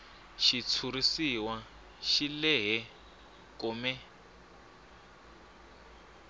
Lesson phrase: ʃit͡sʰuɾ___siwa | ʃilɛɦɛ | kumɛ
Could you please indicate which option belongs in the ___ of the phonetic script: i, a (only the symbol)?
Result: i